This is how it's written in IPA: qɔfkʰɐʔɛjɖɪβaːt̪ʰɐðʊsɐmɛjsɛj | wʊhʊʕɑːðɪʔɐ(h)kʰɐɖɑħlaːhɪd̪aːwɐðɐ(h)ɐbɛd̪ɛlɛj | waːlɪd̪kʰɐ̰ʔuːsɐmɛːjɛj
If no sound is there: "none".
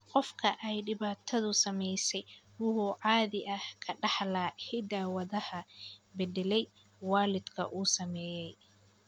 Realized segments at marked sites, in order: h, h

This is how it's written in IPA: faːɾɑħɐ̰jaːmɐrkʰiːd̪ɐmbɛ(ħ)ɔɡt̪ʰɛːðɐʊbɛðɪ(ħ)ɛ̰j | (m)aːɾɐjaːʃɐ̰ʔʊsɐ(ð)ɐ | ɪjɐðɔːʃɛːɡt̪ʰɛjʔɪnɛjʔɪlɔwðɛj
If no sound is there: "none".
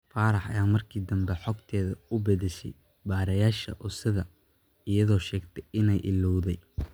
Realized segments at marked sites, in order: ħ, ʃ, b, ð

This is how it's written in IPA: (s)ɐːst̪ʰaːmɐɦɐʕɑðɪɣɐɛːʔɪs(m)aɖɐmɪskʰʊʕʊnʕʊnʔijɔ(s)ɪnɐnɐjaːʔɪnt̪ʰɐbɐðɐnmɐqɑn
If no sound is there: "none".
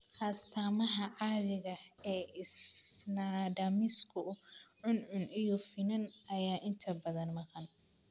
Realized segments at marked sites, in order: h, n, f

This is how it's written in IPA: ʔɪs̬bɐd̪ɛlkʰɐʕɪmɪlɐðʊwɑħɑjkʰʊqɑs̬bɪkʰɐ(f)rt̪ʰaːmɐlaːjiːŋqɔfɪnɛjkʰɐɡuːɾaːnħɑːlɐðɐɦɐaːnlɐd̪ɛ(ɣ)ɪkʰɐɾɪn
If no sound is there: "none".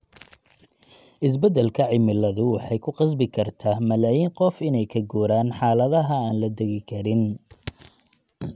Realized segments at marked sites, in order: none, ɣ

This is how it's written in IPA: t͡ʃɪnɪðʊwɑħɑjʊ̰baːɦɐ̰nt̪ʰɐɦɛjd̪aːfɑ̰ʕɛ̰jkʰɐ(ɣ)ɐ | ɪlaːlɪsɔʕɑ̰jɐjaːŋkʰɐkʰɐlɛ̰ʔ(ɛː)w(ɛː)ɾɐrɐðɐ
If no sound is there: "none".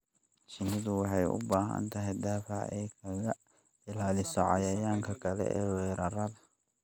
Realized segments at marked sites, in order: ɣ, ɛː, ɛː

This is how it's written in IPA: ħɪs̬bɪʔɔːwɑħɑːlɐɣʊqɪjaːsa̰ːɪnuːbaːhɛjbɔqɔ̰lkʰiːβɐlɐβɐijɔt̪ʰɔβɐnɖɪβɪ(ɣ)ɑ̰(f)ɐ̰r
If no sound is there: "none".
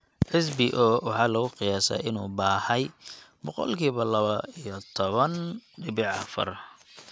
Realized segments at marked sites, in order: ʕ, f

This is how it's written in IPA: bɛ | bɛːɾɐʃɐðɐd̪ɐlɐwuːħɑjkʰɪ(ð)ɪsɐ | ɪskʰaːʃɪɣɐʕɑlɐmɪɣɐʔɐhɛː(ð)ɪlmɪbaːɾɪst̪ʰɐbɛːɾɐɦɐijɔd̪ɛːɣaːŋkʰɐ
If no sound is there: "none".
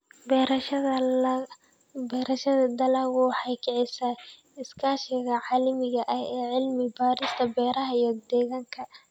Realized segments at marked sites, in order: ʕ, ʕ

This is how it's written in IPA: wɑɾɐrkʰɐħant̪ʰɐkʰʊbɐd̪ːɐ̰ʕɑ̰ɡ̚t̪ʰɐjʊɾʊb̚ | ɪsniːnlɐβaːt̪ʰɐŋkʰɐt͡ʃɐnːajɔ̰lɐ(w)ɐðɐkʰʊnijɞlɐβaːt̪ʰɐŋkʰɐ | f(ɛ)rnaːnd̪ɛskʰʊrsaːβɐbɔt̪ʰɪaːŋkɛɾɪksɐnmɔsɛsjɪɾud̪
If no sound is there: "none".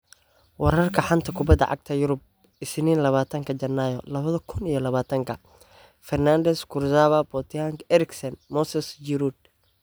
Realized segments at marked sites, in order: β, ɛ

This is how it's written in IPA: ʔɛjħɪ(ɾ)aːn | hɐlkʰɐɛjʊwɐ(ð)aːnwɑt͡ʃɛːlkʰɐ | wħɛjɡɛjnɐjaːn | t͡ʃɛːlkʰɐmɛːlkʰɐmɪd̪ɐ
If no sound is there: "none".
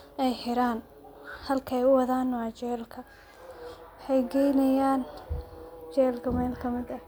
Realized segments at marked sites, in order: ɾ, ð

